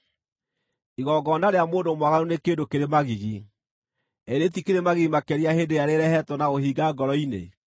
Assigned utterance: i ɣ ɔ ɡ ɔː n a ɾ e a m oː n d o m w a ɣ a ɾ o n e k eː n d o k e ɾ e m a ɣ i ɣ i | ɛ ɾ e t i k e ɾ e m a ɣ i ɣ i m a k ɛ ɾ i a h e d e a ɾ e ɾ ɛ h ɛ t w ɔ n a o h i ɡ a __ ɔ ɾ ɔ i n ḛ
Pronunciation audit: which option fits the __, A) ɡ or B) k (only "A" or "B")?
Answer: A